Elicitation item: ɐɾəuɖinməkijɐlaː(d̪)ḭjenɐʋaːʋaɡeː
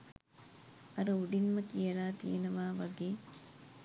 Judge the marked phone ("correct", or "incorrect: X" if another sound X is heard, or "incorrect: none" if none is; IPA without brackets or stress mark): incorrect: t̪